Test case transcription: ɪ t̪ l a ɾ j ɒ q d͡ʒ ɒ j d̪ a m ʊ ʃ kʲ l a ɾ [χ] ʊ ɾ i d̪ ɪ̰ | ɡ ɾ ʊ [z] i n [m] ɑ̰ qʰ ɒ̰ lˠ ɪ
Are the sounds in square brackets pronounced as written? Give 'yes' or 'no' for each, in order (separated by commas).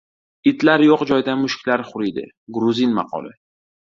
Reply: yes, yes, yes